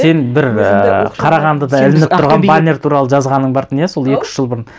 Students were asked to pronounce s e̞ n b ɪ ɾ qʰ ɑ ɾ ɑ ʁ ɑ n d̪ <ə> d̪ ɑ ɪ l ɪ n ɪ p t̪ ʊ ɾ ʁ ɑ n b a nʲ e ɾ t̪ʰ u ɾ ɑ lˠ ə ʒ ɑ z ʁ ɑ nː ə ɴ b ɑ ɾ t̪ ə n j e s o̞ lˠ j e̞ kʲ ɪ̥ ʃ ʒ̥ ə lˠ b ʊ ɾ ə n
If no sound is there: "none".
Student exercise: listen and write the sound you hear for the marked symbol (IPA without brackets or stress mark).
ə